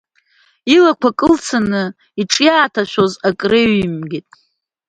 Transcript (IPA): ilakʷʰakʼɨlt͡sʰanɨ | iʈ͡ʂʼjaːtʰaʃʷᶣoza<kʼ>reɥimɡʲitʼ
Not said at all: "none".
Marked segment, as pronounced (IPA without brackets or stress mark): kʼ